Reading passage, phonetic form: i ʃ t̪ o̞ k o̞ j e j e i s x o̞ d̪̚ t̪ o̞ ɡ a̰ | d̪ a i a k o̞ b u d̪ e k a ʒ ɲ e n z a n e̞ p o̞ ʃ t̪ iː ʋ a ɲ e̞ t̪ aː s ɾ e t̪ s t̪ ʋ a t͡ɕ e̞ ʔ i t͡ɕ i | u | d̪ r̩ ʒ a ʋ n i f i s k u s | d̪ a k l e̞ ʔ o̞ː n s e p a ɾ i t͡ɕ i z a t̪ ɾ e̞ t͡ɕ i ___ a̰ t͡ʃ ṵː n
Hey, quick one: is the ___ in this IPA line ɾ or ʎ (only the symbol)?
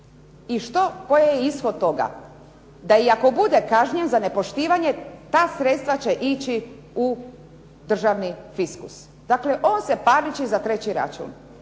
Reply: ɾ